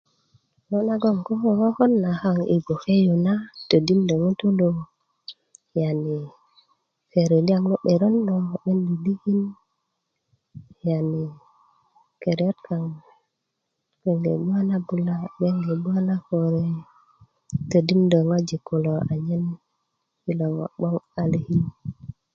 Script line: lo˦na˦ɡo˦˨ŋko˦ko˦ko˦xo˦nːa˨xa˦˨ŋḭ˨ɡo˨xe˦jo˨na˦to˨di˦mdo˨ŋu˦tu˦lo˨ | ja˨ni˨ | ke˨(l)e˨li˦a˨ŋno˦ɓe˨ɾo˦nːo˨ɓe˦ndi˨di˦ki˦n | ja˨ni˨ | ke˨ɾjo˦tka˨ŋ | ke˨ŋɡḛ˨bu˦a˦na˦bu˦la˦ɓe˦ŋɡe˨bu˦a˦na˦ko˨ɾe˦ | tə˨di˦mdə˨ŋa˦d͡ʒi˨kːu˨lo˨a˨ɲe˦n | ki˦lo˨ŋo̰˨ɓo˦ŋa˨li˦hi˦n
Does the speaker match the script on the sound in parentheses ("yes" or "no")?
no